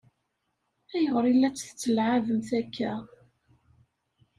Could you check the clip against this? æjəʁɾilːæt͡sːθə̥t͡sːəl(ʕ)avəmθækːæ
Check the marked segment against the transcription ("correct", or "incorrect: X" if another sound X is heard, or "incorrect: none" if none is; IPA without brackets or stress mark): correct